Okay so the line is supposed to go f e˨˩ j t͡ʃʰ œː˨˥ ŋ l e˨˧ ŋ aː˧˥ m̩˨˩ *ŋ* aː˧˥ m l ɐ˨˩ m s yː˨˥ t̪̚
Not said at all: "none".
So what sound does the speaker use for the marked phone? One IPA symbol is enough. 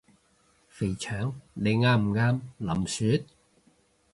ŋ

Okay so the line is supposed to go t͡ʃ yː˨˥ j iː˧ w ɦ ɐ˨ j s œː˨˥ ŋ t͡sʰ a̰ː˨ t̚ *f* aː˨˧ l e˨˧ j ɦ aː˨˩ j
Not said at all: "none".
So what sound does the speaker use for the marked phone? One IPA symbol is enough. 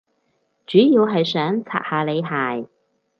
h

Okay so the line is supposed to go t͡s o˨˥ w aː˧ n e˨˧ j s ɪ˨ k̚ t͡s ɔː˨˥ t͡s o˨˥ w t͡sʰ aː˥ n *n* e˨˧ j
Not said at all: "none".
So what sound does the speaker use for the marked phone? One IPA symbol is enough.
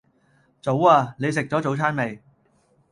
m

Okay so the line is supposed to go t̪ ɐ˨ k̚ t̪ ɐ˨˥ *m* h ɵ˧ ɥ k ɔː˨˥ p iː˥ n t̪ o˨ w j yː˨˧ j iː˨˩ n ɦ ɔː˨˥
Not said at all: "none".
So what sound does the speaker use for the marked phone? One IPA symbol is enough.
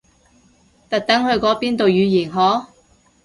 ŋ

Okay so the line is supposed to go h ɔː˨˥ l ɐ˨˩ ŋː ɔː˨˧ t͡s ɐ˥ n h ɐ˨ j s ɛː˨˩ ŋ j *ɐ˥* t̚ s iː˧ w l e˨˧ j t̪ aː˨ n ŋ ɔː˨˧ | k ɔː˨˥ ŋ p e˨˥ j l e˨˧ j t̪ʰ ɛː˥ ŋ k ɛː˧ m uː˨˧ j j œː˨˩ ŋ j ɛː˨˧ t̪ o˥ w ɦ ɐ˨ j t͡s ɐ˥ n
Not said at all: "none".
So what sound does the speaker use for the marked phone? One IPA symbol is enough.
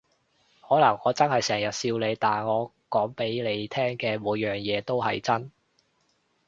ɐ˨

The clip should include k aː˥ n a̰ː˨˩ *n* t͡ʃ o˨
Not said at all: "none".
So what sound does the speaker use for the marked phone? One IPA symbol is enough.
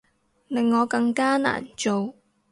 n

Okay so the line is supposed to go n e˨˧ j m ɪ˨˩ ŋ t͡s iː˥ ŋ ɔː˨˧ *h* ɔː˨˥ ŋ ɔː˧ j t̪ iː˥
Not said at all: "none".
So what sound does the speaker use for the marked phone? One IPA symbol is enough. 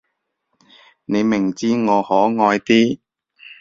h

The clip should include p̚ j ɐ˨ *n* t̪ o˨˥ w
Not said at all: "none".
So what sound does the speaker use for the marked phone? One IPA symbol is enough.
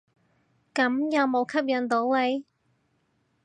n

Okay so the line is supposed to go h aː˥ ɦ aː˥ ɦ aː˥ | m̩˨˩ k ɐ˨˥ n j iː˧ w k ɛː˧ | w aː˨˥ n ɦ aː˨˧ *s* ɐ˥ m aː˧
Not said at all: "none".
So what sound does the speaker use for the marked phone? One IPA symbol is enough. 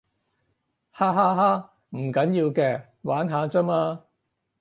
t͡s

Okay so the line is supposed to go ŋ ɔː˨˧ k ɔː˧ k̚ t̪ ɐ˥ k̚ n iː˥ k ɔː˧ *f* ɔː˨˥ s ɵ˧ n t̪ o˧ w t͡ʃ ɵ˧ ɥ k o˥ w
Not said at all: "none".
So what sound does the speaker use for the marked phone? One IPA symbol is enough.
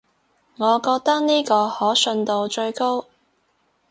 h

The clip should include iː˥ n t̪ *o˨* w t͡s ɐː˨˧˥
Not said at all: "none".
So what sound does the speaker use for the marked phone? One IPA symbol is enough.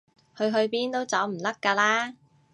o˥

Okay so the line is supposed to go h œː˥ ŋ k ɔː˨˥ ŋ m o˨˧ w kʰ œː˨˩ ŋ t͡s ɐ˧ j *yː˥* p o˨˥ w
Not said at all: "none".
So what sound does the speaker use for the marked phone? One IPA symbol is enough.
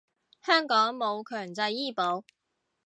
iː˥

